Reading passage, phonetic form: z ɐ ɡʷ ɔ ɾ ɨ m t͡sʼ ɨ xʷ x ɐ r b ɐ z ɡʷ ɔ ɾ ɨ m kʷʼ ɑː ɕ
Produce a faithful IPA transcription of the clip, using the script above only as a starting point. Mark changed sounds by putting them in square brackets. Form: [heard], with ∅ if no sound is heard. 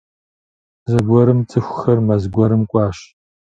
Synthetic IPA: z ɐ ɡʷ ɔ ɾ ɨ m t͡sʼ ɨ xʷ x ɐ r [m] ɐ z ɡʷ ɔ ɾ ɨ m kʷʼ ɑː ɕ

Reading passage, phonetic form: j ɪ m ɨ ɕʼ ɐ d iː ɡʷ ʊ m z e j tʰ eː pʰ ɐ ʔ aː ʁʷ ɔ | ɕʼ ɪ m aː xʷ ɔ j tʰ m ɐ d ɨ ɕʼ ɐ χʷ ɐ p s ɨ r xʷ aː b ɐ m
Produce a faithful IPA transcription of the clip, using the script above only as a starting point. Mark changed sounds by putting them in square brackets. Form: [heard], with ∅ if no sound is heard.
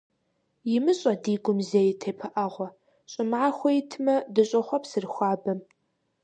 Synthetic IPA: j ɪ m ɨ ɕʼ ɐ d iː ɡʷ ʊ m z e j tʰ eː pʰ ɐ ʔ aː ʁʷ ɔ | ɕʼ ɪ m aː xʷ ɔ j tʰ m ɐ d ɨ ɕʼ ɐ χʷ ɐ p s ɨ r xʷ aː b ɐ m

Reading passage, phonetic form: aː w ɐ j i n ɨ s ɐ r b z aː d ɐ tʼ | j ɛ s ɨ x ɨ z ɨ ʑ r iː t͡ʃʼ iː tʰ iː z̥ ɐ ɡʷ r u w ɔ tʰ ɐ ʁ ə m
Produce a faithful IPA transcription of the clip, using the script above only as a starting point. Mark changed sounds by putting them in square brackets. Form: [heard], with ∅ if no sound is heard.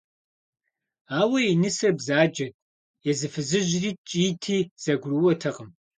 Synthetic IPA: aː w ɐ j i n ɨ s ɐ r b z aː [d͡ʒ] ɐ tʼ | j ɛ [z] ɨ [f] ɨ z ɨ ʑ r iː t͡ʃʼ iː tʰ iː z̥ ɐ ɡʷ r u w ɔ tʰ ɐ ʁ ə m

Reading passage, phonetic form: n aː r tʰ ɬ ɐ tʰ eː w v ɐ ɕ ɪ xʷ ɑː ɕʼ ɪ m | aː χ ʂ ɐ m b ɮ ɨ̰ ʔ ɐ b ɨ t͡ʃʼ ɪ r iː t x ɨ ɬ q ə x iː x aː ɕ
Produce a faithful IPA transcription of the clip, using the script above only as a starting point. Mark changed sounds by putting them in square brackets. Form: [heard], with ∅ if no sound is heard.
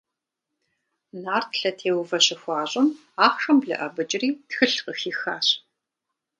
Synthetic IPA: n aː r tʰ ɬ ɐ tʰ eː w v ɐ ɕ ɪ xʷ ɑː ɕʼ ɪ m | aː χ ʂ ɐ m b ɮ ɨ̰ ʔ ɐ b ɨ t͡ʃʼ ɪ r iː t x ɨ ɬ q ə x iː x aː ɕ

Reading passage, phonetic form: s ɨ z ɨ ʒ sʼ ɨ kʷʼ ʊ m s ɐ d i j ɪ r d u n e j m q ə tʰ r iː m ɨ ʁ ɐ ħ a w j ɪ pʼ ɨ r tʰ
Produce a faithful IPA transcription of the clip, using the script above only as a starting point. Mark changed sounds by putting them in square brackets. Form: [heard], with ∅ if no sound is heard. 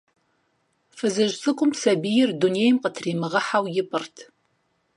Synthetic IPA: [f] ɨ z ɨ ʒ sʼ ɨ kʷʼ ʊ m s ɐ [b] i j ɪ r d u n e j m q ə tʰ r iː m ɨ ʁ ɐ ħ a w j ɪ pʼ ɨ r tʰ

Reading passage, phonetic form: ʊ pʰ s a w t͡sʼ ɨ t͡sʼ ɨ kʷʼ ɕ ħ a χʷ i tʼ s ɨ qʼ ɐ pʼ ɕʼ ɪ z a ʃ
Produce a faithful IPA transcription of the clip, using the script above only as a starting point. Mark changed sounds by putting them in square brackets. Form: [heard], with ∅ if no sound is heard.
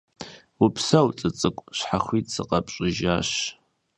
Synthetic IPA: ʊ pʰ s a w t͡sʼ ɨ t͡sʼ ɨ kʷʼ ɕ ħ a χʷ i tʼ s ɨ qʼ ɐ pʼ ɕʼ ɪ [ʒ] a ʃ

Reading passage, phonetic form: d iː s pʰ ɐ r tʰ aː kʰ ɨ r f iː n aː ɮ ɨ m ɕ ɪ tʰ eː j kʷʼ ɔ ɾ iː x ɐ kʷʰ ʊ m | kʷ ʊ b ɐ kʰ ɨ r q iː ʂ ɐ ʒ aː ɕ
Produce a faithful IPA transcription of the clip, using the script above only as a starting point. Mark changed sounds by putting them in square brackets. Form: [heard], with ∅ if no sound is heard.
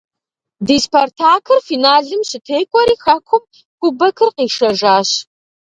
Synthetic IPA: d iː s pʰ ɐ r tʰ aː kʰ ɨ r f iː n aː ɮ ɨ m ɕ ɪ tʰ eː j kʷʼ ɔ ɾ iː x ɐ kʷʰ ʊ m | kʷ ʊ b ɐ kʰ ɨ r q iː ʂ ɐ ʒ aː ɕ

